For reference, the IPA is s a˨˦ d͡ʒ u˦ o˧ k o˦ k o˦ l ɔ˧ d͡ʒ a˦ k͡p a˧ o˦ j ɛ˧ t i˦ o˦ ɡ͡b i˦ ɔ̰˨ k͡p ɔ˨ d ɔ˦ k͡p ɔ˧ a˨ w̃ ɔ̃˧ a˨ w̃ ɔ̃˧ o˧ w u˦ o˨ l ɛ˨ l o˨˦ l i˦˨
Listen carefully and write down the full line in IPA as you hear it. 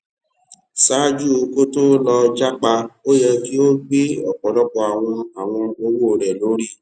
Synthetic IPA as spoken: s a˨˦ d͡ʒ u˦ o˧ k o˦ t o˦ l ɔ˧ d͡ʒ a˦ k͡p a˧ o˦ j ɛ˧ k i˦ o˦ ɡ͡b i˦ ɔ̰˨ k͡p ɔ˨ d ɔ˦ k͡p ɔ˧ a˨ w̃ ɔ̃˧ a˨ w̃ ɔ̃˧ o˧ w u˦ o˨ ɾ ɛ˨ l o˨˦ ɾ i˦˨